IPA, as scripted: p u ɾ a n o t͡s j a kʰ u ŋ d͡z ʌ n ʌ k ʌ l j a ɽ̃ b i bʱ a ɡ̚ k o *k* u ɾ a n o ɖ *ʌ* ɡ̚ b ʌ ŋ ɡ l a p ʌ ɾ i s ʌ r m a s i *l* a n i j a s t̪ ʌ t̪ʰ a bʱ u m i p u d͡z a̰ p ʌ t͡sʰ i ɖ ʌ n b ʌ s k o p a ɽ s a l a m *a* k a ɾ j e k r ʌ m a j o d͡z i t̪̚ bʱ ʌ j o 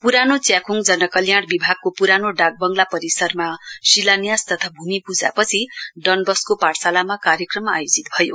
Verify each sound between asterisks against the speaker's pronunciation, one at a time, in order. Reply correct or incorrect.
incorrect, incorrect, correct, correct

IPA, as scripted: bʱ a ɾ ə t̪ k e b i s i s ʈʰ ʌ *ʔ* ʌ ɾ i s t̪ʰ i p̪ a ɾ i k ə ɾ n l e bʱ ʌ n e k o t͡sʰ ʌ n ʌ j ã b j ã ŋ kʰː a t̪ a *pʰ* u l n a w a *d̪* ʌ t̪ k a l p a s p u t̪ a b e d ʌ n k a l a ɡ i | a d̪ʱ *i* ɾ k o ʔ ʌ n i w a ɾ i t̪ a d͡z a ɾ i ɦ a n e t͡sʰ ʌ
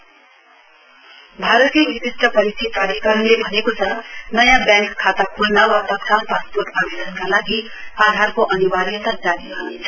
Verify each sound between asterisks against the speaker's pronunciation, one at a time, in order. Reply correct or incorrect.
incorrect, incorrect, incorrect, incorrect

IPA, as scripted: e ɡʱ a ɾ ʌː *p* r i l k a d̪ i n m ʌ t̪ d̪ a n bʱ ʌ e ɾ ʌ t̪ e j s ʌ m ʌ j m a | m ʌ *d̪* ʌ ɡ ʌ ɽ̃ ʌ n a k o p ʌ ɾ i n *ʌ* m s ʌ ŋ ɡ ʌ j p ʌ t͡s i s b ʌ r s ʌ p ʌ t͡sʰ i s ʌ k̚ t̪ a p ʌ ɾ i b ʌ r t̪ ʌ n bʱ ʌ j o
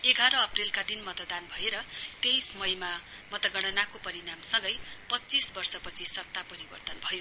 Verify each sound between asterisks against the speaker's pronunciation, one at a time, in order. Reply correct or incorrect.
correct, incorrect, incorrect

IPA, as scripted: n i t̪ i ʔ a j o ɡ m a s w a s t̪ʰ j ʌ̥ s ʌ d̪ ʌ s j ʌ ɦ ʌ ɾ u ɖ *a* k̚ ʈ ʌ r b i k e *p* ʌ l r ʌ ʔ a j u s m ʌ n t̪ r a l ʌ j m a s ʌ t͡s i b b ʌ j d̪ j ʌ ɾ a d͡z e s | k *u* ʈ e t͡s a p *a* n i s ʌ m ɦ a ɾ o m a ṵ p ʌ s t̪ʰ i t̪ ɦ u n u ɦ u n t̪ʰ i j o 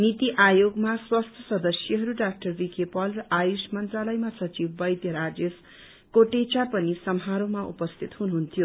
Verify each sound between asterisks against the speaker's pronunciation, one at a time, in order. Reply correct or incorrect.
correct, correct, incorrect, incorrect

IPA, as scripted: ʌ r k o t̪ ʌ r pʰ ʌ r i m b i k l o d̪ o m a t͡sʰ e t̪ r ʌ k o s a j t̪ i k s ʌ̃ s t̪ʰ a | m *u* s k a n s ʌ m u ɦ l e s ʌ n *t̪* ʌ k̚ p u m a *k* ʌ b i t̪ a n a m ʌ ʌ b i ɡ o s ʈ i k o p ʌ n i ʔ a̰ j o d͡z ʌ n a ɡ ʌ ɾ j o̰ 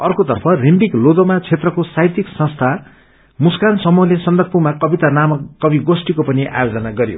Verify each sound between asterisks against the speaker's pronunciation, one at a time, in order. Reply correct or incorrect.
correct, incorrect, correct

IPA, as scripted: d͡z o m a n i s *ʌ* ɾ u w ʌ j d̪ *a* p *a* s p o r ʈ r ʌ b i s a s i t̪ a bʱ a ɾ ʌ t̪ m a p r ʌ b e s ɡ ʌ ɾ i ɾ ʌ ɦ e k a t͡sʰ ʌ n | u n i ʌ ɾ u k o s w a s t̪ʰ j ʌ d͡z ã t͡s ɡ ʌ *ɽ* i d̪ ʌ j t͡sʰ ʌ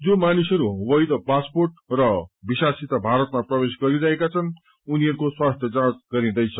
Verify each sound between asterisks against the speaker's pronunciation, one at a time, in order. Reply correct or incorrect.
correct, incorrect, correct, incorrect

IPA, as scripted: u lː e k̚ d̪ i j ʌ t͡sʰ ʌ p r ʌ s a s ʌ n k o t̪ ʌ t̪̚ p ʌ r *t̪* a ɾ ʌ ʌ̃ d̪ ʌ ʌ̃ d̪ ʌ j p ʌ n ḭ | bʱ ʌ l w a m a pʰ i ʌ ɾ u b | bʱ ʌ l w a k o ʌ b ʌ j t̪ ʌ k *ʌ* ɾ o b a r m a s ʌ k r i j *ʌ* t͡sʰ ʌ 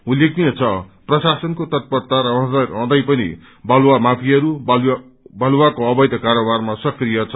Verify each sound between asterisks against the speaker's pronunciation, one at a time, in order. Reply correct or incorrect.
correct, incorrect, correct

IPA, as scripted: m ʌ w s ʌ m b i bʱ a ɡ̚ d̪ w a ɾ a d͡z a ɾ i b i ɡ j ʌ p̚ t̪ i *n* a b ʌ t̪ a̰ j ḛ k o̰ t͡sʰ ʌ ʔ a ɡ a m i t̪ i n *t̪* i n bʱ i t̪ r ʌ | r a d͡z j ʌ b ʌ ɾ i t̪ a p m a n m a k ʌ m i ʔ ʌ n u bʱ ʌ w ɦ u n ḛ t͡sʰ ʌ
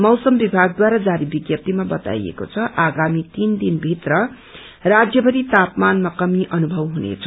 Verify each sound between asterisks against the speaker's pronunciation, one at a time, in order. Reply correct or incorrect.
incorrect, incorrect

